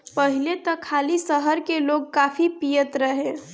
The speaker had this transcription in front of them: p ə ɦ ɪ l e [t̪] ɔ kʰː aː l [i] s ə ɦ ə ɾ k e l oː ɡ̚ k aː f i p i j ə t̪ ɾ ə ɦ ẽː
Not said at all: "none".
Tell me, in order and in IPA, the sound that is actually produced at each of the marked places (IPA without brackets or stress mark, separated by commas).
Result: t̪, i